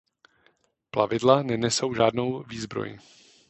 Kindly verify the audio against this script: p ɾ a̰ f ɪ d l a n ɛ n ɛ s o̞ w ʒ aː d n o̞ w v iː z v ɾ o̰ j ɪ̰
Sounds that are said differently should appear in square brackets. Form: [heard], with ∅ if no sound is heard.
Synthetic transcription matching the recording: p [l] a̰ [v] ɪ d l a n ɛ n ɛ s o̞ w ʒ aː d n o̞ w v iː z [b] ɾ o̰ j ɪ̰